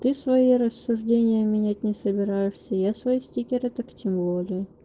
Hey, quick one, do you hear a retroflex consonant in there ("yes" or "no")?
yes